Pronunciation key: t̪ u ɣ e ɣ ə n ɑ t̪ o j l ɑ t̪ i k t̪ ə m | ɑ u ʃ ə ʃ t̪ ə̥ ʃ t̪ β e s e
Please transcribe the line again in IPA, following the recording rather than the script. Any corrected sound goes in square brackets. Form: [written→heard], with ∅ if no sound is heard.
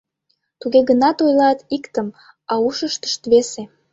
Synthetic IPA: t̪ u ɣ e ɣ ə n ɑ t̪ o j l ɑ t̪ i k t̪ ə m | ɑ u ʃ ə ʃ t̪ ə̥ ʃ t̪ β e s e